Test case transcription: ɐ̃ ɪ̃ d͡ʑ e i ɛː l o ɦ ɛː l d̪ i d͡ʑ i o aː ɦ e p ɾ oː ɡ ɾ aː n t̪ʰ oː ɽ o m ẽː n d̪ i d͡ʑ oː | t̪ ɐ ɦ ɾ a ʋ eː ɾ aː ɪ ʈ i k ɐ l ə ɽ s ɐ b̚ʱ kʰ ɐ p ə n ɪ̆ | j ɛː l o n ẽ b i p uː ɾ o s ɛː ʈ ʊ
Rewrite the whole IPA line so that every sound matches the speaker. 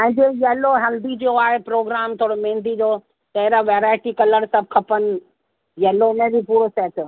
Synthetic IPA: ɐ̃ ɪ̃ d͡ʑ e j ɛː l o ɦ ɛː l d̪ i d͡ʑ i o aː ɦ e p ɾ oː ɡ ɾ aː m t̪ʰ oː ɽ o m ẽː n d̪ i d͡ʑ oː | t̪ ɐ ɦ ɾ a ʋ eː ɾ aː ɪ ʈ i k ɐ l ə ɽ s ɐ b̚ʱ kʰ ɐ p ə n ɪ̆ | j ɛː l o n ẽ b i p uː ɾ o s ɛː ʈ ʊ